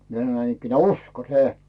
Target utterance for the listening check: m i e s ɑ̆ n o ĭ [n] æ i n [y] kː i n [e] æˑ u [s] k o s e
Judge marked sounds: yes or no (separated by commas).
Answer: yes, no, yes, yes